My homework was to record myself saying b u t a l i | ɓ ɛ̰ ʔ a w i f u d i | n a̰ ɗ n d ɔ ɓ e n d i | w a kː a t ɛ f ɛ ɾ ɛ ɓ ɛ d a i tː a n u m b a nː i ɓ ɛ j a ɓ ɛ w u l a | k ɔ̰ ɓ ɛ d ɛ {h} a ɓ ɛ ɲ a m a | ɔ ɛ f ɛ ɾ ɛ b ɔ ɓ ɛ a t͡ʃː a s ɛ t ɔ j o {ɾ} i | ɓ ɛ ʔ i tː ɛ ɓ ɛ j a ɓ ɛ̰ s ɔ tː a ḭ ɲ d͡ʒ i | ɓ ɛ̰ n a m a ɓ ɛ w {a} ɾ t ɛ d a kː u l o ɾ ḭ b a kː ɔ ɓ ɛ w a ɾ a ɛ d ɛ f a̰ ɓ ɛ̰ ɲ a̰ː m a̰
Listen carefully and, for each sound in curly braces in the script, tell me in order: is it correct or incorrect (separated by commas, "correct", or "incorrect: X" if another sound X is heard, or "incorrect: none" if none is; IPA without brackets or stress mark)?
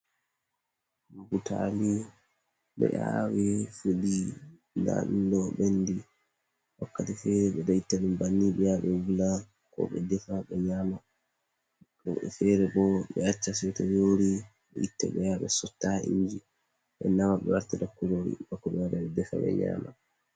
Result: incorrect: f, correct, correct